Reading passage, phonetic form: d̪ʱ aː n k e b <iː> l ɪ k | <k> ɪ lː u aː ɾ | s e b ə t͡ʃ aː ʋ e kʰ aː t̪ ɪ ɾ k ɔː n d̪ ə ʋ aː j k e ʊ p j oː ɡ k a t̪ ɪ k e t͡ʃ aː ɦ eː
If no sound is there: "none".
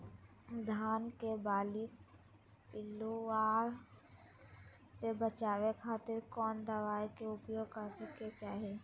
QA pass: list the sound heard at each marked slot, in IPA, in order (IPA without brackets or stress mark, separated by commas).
aː, p